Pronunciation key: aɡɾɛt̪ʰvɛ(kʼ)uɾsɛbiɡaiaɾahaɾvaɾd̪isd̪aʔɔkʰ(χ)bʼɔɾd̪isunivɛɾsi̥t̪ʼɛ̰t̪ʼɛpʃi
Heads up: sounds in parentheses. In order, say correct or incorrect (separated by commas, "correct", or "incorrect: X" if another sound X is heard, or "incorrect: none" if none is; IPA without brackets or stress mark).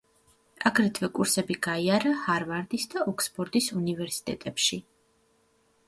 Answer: correct, incorrect: s